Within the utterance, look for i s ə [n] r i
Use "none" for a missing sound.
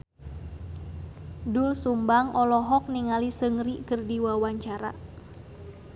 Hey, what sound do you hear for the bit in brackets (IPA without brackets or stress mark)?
ŋ